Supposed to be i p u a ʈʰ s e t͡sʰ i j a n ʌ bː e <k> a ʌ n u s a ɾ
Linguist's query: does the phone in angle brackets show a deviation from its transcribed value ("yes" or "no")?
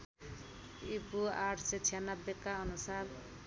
no